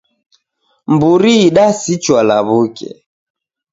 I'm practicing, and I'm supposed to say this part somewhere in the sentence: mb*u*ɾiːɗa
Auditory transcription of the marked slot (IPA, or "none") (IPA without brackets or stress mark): u